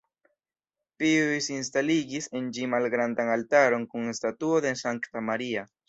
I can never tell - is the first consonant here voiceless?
yes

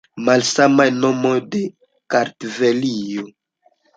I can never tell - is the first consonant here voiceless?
no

